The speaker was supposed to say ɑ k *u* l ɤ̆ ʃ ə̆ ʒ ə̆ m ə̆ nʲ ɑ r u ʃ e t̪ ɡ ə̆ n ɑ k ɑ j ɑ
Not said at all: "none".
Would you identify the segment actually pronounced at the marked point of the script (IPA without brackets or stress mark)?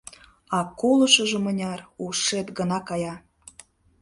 o